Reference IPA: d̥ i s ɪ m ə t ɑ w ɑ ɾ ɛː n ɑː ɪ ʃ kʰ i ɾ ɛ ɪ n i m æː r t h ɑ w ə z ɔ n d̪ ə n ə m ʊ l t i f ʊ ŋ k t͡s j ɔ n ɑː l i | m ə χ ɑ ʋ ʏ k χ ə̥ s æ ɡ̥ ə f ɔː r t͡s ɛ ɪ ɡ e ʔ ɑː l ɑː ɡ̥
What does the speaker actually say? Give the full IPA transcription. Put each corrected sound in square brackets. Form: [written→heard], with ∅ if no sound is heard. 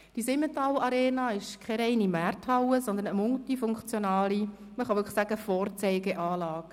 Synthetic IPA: d̥ i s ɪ m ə t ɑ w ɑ ɾ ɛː n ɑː ɪ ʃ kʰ [i→ɛ] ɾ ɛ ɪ n i m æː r t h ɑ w ə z ɔ n d̪ ə n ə m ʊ l t i f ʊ ŋ k t͡s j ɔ n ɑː l i | m ə χ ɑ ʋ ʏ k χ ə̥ s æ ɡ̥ ə f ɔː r t͡s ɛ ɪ ɡ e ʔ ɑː l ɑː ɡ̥